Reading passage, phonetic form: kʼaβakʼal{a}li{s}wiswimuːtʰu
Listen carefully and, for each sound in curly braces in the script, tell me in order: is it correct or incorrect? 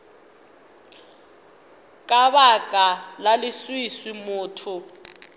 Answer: correct, correct

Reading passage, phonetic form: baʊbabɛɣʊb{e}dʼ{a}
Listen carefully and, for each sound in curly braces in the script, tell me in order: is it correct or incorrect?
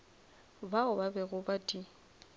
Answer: incorrect, incorrect

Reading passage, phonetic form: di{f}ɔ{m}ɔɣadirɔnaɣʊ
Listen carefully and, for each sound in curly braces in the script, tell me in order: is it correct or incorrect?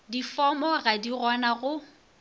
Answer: correct, correct

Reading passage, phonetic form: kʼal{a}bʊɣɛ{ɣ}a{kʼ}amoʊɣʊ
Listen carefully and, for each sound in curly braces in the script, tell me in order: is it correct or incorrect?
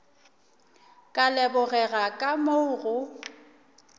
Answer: incorrect, correct, correct

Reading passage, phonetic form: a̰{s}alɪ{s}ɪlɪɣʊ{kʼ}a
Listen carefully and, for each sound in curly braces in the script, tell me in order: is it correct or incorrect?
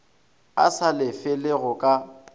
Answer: correct, incorrect, correct

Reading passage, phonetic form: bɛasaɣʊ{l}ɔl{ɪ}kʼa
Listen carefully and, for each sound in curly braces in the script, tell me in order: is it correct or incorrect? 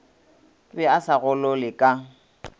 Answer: correct, correct

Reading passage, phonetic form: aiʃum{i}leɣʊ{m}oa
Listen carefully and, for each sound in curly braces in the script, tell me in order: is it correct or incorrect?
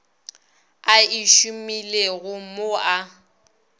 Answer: correct, correct

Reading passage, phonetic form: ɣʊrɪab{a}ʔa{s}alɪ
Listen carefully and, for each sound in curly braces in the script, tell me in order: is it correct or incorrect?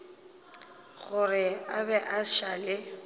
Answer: incorrect, incorrect

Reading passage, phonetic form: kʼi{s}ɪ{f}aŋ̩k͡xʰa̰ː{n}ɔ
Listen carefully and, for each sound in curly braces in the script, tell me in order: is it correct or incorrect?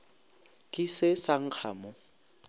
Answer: correct, incorrect, incorrect

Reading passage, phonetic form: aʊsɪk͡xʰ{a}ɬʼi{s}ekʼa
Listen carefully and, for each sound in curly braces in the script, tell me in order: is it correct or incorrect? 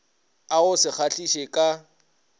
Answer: correct, incorrect

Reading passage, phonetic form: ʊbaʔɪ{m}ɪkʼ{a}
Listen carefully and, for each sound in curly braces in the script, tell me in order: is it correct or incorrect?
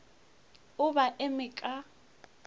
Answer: correct, correct

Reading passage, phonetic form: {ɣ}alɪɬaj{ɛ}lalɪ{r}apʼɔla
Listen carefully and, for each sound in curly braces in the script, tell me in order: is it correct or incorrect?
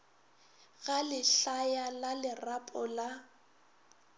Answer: correct, incorrect, correct

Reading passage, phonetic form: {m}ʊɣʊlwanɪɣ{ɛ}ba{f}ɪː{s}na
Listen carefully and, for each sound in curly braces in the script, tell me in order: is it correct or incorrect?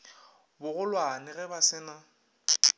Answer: incorrect, correct, incorrect, incorrect

